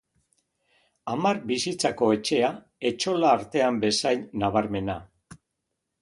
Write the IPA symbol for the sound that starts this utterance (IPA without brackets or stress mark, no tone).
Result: a